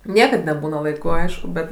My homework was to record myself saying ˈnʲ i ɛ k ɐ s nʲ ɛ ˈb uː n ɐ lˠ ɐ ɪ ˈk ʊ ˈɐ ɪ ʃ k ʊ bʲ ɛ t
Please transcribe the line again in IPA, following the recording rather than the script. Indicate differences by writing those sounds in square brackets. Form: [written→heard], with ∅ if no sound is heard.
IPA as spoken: ˈnʲ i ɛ k ɐ [s→t] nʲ ɛ ˈb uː n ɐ lˠ ɐ ɪ ˈk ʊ ˈɐ ɪ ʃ k ʊ bʲ ɛ t

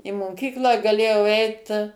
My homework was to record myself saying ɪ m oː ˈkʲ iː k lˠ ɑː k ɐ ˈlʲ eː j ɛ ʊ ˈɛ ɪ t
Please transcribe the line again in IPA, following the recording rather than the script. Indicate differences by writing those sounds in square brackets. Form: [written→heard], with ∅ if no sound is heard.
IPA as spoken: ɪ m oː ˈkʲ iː k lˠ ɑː [k→ɡ] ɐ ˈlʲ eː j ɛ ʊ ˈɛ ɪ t

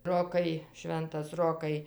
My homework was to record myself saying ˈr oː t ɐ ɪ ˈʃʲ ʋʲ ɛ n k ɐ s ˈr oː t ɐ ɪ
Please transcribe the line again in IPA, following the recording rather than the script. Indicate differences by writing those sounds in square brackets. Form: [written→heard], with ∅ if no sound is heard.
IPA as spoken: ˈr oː [t→k] ɐ ɪ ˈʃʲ ʋʲ ɛ n [k→t] ɐ s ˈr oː [t→k] ɐ ɪ

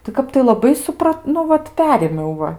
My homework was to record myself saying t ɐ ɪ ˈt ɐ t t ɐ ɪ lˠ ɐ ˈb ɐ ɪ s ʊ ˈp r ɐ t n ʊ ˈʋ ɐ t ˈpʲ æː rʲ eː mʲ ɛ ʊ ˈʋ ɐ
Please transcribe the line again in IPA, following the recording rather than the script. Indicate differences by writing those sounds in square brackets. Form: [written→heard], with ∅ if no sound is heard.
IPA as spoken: t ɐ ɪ [ˈt→ˈk] ɐ [t→p] t ɐ ɪ lˠ ɐ ˈb ɐ ɪ s ʊ ˈp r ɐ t n ʊ ˈʋ ɐ t ˈpʲ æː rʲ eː mʲ ɛ ʊ ˈʋ ɐ

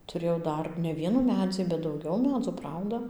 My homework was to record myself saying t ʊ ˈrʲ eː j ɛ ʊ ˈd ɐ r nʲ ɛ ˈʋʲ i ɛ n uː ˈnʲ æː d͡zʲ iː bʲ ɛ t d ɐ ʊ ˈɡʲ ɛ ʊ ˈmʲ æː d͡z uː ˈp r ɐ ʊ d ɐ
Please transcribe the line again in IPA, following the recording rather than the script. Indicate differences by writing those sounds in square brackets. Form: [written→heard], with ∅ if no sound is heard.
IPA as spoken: t ʊ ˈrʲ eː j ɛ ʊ ˈd ɐ r nʲ ɛ ˈʋʲ i ɛ n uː [ˈnʲ→ˈmʲ] æː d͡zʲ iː bʲ ɛ t d ɐ ʊ ˈɡʲ ɛ ʊ ˈmʲ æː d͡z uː ˈp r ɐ ʊ d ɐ

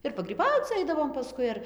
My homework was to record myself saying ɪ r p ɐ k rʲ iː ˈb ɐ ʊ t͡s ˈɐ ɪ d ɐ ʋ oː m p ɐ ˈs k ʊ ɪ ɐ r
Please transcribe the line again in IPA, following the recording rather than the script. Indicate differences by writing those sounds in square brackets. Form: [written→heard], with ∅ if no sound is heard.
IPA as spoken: ɪ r p ɐ [k→ɡ] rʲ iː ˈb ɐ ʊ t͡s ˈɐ ɪ d ɐ ʋ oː m p ɐ ˈs k ʊ ɪ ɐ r

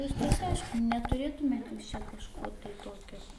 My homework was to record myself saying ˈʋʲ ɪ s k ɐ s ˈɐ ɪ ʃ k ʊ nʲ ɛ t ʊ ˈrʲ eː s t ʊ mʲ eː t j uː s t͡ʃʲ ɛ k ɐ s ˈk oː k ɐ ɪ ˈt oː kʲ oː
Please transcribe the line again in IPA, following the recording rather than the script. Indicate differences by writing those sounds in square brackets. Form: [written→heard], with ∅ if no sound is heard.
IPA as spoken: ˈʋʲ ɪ s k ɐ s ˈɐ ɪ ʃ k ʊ nʲ ɛ t ʊ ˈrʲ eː [s→∅] t ʊ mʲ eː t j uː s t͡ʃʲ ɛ k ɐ [s→ʃ] ˈk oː [k→t] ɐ ɪ ˈt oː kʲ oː

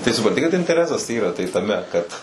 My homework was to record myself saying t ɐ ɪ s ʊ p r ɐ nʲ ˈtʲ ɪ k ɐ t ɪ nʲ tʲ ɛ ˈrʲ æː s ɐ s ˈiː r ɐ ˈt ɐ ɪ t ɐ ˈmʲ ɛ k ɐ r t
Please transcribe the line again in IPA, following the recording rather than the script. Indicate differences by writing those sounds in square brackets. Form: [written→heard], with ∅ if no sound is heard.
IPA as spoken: t ɐ ɪ s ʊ p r ɐ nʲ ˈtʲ ɪ k ɐ t ɪ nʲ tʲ ɛ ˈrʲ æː s ɐ s ˈiː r ɐ ˈt ɐ ɪ t ɐ ˈmʲ ɛ k ɐ [r→∅] t

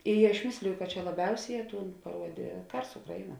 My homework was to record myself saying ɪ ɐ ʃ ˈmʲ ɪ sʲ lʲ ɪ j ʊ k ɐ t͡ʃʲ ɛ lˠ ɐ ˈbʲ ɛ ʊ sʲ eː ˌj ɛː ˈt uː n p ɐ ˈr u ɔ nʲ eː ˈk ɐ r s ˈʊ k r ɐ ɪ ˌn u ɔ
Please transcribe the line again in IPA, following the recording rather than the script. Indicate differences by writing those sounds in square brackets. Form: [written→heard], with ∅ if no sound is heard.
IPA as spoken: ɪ ɐ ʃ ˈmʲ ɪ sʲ lʲ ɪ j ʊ k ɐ t͡ʃʲ ɛ lˠ ɐ ˈbʲ ɛ ʊ sʲ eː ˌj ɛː ˈt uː n p ɐ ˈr u ɔ [nʲ→dʲ] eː ˈk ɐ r s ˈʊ k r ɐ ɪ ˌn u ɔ

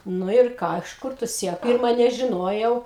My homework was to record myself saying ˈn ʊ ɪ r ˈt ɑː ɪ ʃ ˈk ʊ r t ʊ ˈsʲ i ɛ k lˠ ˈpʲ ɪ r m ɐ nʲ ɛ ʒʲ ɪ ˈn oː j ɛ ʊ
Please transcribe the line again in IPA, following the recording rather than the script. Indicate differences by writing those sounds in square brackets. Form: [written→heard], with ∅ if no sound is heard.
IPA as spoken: ˈn ʊ ɪ r [ˈt→ˈk] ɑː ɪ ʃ ˈk ʊ r t ʊ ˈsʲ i ɛ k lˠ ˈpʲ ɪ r m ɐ nʲ ɛ ʒʲ ɪ ˈn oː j ɛ ʊ

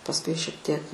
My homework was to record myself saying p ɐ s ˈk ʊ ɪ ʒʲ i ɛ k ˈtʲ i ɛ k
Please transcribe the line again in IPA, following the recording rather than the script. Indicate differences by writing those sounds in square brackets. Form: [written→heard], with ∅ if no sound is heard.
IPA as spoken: p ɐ s ˈk ʊ ɪ [ʒʲ→ʃʲ] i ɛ k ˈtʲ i ɛ k

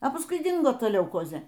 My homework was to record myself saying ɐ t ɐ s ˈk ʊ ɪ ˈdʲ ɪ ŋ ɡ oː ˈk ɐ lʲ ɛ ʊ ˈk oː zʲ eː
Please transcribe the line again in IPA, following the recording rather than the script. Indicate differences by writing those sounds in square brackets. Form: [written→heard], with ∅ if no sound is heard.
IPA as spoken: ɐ [t→p] ɐ s ˈk ʊ ɪ ˈdʲ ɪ ŋ ɡ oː [ˈk→ˈt] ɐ lʲ ɛ ʊ ˈk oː zʲ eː

